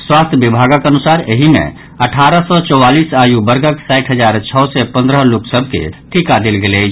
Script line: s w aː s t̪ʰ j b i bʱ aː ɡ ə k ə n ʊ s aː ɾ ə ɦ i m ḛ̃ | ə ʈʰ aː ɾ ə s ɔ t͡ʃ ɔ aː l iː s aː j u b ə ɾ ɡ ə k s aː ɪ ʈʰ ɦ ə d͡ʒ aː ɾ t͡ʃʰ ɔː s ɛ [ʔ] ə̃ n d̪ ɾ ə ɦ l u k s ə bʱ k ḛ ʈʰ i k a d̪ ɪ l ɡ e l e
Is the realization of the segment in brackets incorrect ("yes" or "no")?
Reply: yes